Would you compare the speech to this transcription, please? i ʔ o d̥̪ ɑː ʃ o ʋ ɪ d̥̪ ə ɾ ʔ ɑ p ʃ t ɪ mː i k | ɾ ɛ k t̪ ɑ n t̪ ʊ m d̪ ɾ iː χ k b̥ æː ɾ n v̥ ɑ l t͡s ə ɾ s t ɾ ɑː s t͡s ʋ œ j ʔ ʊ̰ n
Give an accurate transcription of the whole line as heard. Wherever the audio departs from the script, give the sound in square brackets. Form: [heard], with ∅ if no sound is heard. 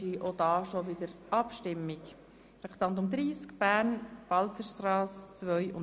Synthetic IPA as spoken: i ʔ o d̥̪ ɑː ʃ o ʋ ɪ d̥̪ ə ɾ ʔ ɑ p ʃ t ɪ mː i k | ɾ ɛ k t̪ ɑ n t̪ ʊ m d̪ ɾ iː [s] k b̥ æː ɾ n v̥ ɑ l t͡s ə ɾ [ʃ] t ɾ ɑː s t͡s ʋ œ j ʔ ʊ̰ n